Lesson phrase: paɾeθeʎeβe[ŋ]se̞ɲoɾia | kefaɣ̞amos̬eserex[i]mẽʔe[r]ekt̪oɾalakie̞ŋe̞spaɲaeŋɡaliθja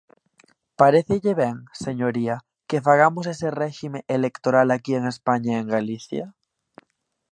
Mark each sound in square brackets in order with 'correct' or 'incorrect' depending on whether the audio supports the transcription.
correct, correct, incorrect: l

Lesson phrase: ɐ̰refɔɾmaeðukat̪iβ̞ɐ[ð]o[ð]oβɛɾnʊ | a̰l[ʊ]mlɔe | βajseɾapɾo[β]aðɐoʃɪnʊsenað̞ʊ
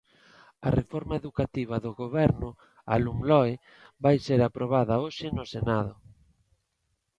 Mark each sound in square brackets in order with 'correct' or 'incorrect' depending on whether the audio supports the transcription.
correct, incorrect: ɣ, incorrect: u, correct

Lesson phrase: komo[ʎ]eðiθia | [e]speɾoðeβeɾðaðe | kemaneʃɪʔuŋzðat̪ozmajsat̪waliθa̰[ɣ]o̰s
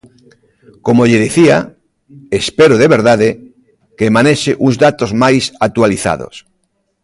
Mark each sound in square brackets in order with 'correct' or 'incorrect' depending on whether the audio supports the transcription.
correct, correct, incorrect: ð

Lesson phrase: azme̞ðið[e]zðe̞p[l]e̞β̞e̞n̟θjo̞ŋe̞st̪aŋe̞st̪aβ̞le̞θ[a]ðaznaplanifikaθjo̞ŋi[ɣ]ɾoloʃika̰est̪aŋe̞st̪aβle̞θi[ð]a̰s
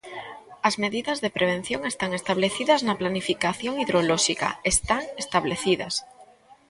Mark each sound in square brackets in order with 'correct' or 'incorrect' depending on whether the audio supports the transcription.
incorrect: a, incorrect: ɾ, incorrect: i, incorrect: ð, correct

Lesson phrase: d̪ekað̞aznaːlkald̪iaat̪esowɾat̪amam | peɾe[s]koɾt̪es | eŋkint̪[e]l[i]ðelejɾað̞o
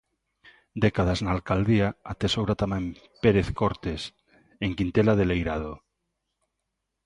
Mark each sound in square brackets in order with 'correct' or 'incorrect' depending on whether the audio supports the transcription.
incorrect: θ, correct, incorrect: a

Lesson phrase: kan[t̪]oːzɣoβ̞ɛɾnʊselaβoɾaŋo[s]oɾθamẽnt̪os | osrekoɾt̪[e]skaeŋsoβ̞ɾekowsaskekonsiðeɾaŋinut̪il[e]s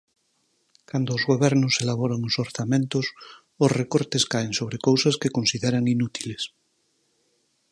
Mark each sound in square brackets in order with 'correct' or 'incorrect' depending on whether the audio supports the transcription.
incorrect: d̪, correct, correct, correct

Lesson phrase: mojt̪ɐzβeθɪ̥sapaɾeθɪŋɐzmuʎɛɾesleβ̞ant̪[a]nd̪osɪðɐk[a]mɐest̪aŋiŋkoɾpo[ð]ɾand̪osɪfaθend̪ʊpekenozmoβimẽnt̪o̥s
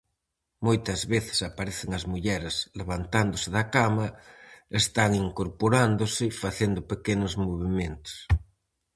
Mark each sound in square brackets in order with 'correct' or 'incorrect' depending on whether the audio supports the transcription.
correct, correct, incorrect: none

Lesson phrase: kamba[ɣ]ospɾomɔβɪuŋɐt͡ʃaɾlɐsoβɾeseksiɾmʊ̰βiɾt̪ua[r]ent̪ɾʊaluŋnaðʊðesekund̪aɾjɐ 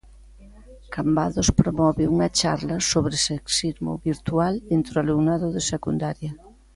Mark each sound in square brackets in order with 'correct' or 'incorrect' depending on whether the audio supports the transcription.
incorrect: ð, incorrect: l

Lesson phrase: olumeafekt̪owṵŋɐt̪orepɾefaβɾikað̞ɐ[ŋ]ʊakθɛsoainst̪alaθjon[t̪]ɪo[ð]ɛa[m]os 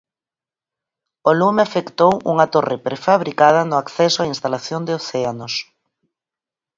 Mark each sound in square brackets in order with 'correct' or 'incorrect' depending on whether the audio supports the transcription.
incorrect: n, incorrect: d̪, incorrect: θ, incorrect: n

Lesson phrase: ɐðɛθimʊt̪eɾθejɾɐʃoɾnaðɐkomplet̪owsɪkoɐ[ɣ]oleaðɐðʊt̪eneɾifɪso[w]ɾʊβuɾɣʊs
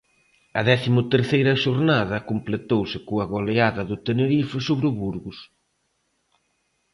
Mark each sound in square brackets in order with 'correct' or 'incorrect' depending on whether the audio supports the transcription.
correct, incorrect: β

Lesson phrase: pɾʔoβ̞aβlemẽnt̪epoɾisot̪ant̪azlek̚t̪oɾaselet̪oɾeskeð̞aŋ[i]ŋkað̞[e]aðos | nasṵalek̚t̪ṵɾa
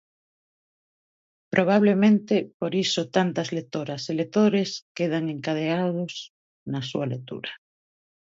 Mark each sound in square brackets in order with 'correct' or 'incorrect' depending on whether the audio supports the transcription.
incorrect: e, correct

